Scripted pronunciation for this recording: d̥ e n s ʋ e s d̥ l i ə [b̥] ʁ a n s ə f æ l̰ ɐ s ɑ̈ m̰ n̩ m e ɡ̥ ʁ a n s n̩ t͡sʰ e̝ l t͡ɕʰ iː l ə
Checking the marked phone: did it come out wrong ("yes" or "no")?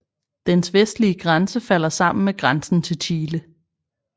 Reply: yes